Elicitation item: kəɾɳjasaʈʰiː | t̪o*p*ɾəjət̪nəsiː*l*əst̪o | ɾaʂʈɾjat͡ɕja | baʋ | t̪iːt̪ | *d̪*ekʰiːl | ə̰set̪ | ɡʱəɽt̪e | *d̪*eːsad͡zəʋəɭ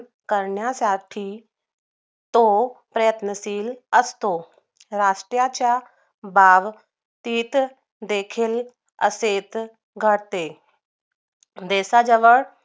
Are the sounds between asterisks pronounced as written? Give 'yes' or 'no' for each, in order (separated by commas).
yes, yes, yes, yes